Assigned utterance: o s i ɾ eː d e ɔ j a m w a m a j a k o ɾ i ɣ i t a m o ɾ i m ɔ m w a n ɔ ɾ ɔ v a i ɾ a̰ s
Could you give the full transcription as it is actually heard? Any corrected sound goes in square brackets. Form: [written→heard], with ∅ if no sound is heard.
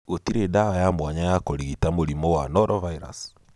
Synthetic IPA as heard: o [s→t] i ɾ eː d [e→a] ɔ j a m w a [m→ɲ] a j a k o ɾ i ɣ i t a m o ɾ i m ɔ [m→∅] w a n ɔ ɾ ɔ v a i ɾ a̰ s